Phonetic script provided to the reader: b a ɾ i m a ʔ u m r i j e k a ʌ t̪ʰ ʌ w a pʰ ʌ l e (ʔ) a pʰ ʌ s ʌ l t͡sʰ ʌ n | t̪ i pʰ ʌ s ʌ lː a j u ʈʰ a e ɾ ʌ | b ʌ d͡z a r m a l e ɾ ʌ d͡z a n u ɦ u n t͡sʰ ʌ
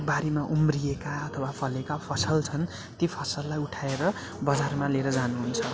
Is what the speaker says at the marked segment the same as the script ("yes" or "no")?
no